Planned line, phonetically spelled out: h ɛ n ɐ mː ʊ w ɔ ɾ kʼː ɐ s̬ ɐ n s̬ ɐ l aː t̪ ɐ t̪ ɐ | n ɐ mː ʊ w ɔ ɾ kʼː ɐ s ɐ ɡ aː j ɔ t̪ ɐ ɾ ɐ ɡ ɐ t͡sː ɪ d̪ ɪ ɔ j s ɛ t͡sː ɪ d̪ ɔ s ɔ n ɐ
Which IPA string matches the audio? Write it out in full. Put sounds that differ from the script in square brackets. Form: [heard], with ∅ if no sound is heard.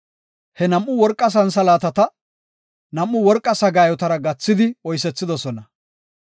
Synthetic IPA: h ɛ n ɐ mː ʊ w ɔ ɾ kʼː ɐ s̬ ɐ n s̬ ɐ l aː t̪ ɐ t̪ ɐ | n ɐ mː ʊ w ɔ ɾ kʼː ɐ s ɐ ɡ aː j ɔ t̪ ɐ ɾ ɐ ɡ ɐ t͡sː ɪ d̪ ɪ ɔ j s ɛ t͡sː ɪ d̪ ɔ s ɔ n ɐ